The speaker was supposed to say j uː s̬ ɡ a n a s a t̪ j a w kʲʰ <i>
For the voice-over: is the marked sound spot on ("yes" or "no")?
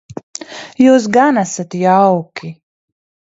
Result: yes